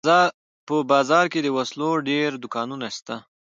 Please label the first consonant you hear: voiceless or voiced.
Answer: voiceless